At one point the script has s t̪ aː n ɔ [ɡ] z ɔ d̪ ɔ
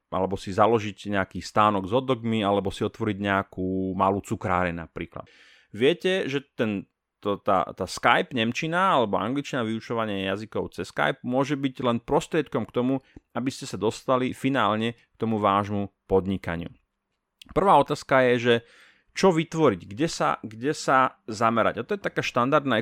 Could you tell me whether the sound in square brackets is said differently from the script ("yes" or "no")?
no